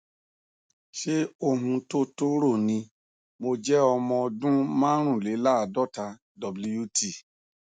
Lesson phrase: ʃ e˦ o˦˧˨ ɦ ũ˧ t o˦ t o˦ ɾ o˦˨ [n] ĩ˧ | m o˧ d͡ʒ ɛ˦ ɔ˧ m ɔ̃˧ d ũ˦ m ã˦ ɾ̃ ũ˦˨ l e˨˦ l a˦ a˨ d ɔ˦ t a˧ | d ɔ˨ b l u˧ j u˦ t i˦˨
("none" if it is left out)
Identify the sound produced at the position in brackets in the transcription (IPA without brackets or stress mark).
n